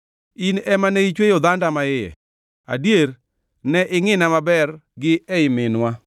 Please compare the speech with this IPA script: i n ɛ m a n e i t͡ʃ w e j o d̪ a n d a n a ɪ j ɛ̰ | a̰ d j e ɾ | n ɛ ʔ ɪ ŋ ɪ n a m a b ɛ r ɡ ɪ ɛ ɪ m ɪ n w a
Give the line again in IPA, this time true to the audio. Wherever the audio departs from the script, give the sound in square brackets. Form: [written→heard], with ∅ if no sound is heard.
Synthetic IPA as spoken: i n ɛ m a n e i t͡ʃ w e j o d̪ a n d a [n→m] a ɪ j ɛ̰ | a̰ d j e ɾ | n ɛ ʔ ɪ ŋ ɪ n a m a b ɛ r ɡ ɪ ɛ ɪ m ɪ n w a